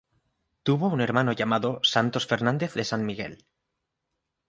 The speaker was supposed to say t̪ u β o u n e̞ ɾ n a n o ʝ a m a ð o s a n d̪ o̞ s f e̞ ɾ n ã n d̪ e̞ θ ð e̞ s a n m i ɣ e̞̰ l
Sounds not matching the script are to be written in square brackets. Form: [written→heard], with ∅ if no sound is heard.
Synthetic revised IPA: t̪ u β o u n e̞ ɾ [n→m] a n o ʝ a m a ð o s a n [d̪→t̪] o̞ s f e̞ ɾ n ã n d̪ e̞ θ ð e̞ s a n m i ɣ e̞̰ l